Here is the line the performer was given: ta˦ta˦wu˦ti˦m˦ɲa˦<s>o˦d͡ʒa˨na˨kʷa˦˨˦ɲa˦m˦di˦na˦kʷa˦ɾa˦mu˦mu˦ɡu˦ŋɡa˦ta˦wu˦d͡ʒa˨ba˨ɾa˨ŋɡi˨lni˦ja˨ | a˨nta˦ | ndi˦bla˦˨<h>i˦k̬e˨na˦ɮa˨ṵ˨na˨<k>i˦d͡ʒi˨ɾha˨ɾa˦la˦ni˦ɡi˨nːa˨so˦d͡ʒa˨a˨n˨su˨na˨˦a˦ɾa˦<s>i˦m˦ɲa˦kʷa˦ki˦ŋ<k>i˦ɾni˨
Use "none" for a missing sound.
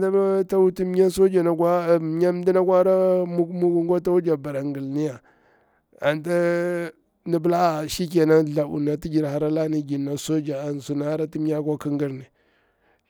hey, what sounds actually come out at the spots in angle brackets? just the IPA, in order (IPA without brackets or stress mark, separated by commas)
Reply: s, ʃ, t, t, ɡ